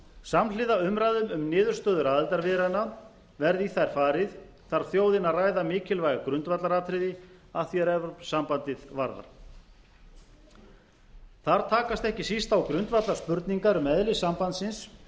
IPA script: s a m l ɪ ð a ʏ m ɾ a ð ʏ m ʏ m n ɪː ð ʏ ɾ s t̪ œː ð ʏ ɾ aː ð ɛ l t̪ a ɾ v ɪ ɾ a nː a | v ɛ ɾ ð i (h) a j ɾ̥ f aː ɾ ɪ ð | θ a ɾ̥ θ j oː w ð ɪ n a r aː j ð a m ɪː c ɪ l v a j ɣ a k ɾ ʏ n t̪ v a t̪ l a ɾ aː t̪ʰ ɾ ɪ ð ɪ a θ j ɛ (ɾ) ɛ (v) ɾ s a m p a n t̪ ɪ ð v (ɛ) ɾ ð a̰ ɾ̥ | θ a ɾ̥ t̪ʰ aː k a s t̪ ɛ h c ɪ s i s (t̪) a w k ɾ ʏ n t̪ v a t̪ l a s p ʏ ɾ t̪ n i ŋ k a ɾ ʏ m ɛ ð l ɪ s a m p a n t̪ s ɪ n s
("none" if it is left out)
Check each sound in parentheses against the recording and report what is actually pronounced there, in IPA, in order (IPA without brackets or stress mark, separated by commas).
θ, ɾ, v, a, t̪